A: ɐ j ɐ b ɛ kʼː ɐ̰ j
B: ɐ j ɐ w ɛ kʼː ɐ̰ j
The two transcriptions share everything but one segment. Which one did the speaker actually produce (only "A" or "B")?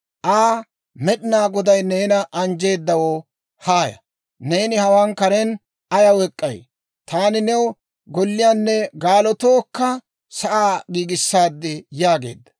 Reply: B